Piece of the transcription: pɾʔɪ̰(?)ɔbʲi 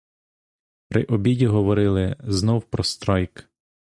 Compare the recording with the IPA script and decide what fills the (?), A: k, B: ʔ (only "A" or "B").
B